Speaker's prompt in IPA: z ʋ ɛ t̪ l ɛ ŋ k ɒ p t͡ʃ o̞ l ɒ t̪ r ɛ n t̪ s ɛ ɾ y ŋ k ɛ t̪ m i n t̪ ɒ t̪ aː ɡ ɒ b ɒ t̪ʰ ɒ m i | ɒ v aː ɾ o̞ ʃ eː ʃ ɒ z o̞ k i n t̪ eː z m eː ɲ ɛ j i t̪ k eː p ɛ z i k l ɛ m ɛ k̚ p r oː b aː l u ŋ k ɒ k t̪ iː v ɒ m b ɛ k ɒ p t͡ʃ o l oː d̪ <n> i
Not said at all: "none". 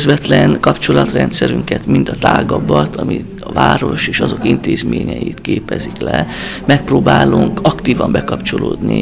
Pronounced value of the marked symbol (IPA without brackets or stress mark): n